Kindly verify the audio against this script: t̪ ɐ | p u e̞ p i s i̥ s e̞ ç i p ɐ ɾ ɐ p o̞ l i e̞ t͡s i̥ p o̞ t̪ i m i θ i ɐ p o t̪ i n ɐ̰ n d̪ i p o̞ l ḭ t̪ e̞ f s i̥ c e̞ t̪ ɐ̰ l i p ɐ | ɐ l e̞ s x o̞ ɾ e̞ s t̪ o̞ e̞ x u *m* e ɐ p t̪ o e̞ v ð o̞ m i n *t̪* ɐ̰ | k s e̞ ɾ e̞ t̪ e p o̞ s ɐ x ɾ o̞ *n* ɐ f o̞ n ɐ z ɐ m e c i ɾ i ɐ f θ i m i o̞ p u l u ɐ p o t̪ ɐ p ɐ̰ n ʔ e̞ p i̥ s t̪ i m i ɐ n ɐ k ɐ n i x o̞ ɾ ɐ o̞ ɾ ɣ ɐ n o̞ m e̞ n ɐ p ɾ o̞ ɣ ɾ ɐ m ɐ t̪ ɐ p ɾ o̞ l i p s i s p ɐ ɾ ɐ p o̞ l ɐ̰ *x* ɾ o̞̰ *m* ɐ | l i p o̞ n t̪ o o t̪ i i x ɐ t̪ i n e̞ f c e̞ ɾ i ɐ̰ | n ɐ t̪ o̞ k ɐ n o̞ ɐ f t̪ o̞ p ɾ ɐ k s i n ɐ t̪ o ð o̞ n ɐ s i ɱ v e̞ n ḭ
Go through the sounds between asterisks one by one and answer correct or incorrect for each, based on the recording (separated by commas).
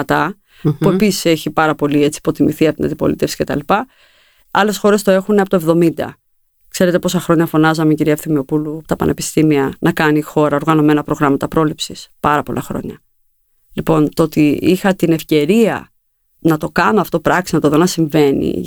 incorrect, incorrect, incorrect, correct, incorrect